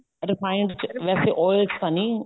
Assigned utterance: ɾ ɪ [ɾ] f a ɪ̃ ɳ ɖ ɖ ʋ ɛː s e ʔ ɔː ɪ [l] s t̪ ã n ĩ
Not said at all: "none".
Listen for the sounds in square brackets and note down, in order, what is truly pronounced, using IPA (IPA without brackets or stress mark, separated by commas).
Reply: none, l